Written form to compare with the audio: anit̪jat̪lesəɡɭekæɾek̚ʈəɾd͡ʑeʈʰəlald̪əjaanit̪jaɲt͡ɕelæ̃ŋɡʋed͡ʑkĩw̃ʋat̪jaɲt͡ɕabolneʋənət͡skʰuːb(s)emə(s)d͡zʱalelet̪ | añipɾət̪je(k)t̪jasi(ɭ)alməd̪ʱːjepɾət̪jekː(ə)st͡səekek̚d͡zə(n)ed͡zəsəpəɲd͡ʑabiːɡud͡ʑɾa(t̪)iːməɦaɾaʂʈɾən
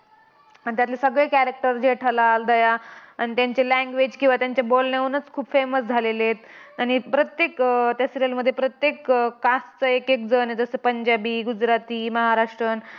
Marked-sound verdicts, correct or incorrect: incorrect, correct, correct, incorrect, incorrect, correct, correct

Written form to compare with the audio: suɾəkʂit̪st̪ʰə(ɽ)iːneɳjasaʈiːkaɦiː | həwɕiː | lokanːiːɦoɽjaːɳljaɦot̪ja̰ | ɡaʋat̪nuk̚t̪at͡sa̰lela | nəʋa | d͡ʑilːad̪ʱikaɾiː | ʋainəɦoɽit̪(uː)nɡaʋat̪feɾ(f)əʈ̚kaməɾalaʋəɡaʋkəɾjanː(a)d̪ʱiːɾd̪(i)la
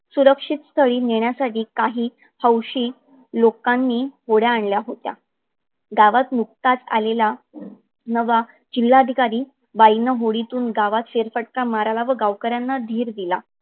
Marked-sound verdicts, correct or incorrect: incorrect, correct, correct, correct, correct

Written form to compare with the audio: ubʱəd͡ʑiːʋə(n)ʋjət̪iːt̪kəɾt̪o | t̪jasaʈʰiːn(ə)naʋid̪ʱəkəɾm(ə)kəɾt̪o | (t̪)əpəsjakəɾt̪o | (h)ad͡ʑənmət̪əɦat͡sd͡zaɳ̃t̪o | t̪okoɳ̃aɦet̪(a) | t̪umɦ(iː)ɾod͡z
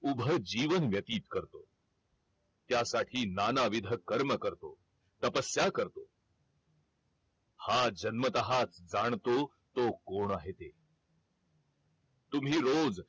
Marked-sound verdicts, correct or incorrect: correct, incorrect, correct, correct, correct, incorrect, correct

